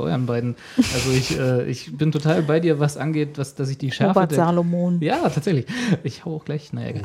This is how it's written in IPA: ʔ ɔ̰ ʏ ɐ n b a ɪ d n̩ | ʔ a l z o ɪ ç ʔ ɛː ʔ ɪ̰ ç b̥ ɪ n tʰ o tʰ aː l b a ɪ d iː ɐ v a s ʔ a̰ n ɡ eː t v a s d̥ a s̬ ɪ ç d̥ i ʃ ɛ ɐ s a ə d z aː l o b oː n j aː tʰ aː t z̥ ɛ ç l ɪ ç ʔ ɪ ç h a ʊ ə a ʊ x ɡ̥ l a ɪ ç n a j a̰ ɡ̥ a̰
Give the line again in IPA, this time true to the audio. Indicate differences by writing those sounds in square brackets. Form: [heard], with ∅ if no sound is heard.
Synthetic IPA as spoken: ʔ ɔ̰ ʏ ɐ n b a ɪ d n̩ | ʔ a l z o ɪ ç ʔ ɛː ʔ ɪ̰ ç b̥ ɪ n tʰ o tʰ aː l b a ɪ d iː ɐ v a s ʔ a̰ n ɡ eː t v a s d̥ a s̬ ɪ ç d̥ [iː] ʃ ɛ ɐ [f] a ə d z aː l o [m] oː n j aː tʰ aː t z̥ ɛ ç l ɪ ç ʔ ɪ ç h a ʊ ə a ʊ x ɡ̥ l a ɪ ç n a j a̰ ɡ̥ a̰